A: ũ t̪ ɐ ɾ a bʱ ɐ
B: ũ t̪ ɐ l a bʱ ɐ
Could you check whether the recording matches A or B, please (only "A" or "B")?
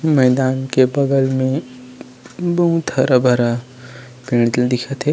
A